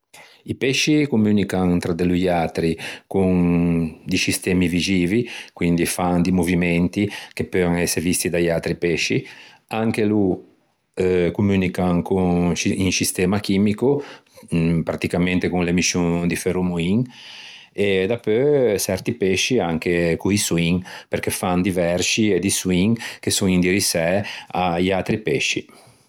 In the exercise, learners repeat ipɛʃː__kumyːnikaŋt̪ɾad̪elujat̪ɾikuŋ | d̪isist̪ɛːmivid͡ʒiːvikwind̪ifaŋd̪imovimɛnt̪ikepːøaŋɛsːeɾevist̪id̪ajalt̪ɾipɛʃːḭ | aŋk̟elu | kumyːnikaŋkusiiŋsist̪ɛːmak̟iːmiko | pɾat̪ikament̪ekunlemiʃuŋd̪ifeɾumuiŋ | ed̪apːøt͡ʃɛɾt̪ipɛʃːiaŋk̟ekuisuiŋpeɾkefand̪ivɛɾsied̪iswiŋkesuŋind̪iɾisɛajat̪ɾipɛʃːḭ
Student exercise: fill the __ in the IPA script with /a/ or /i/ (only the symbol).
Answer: i